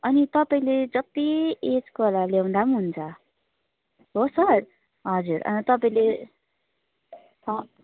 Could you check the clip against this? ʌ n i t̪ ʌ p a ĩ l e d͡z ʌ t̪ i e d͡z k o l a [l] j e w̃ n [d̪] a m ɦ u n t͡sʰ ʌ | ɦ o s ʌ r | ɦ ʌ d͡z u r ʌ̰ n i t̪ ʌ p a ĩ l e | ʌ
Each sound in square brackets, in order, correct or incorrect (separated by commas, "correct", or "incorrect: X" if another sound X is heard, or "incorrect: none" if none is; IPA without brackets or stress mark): correct, correct